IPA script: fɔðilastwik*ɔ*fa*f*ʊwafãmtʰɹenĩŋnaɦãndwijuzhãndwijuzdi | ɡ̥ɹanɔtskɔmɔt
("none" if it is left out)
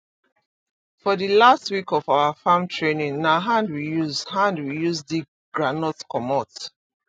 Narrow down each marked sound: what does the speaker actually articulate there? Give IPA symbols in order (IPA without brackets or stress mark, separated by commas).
ɔ, none